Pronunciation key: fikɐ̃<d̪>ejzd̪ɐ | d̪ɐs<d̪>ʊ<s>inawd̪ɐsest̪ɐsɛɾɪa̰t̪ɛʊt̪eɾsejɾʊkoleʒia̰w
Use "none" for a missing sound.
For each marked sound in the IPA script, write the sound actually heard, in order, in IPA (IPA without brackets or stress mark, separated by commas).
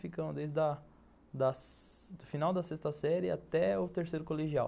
d̪, d̪, f